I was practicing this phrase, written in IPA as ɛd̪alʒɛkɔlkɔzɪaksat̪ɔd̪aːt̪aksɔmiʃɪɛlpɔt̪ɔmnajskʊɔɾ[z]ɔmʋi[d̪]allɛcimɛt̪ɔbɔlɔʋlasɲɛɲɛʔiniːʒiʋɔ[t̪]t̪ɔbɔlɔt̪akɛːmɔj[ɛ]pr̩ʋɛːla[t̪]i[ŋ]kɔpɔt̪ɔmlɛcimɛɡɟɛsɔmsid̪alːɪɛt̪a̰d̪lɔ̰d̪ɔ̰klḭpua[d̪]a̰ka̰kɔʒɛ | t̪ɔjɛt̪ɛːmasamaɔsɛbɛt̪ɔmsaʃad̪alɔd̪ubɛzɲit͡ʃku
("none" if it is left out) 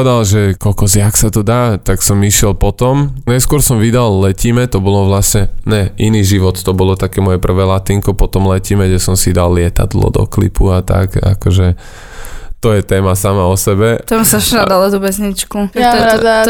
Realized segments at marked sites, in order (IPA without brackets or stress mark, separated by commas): s, d̪, t̪, ɛ, t̪, ŋ, t̪